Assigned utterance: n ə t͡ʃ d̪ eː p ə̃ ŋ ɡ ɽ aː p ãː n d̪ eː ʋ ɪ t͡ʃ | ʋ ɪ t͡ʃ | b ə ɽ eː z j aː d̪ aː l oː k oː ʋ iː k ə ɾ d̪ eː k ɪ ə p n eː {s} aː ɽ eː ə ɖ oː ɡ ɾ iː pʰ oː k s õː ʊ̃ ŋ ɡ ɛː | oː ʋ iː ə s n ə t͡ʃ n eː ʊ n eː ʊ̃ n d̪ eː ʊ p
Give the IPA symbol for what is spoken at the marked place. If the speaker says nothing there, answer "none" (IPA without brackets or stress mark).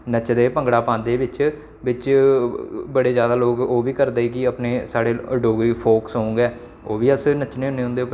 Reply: s